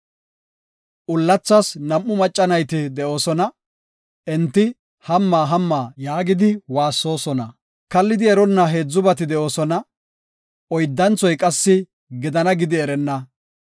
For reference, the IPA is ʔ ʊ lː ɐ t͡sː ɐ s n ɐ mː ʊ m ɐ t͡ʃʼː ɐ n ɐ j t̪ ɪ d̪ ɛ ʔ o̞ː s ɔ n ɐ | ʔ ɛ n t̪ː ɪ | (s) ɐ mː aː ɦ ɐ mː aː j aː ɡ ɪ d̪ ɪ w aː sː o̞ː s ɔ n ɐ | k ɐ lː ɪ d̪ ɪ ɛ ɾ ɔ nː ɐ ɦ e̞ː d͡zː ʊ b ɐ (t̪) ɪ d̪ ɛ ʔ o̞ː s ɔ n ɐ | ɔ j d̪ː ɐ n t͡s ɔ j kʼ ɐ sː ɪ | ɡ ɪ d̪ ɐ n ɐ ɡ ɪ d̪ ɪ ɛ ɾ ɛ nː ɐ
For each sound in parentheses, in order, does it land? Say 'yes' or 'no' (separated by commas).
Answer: no, yes